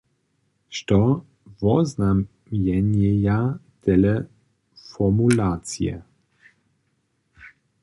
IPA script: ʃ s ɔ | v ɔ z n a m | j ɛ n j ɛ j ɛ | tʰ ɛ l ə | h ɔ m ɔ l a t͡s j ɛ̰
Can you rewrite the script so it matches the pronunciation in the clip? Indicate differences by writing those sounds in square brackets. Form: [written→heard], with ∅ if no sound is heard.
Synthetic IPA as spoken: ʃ [s→t] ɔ | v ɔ z n a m | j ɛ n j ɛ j [ɛ→a] | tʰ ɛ l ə | [h→f] ɔ m [ɔ→u] l a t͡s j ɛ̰